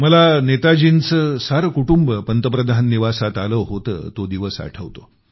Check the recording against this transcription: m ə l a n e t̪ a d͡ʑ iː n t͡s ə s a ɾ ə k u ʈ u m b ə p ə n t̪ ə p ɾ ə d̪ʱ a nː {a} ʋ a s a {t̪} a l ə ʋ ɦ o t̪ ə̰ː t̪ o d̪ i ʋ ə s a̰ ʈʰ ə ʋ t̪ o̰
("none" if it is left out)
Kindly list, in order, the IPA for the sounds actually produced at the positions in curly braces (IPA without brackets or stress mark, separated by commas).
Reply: i, t̪